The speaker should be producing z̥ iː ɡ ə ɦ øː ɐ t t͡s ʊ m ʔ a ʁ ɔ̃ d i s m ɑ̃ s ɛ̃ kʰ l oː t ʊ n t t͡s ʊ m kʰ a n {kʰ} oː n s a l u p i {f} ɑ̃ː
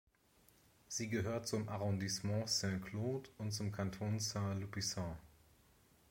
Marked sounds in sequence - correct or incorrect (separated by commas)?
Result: incorrect, incorrect